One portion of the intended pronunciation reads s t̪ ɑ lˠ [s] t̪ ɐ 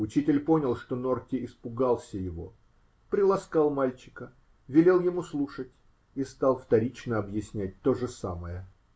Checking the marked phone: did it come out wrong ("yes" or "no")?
yes